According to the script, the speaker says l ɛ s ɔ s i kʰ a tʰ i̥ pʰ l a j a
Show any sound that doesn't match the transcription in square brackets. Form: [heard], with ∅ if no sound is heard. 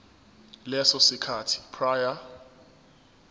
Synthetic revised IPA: l ɛ s ɔ s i kʰ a tʰ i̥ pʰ [r] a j a